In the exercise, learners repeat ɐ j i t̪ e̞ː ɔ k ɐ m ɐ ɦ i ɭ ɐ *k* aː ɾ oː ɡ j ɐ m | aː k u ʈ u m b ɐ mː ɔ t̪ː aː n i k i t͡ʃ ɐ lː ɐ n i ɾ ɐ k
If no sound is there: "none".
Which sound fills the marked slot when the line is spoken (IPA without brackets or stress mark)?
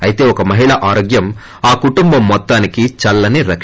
ʔ